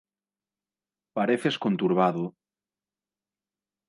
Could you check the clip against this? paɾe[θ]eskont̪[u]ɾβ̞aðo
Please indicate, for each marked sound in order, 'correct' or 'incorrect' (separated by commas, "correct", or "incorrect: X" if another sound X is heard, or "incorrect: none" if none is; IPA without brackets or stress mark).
correct, correct